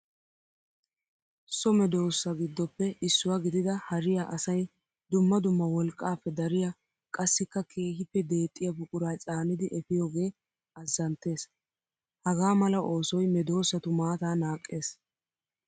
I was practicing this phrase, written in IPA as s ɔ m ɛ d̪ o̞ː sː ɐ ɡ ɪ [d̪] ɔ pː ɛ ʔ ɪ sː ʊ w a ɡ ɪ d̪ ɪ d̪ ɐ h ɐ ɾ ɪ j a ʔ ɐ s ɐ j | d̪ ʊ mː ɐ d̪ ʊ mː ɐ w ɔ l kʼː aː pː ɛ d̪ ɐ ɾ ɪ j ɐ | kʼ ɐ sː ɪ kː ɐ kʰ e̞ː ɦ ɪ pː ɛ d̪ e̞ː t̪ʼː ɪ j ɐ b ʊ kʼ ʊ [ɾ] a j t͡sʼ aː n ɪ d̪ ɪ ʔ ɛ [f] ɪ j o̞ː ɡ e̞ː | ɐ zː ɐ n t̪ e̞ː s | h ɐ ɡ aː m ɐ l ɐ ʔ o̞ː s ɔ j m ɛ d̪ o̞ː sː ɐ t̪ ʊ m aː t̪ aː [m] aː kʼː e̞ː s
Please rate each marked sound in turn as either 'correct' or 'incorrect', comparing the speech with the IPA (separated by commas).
incorrect, correct, correct, incorrect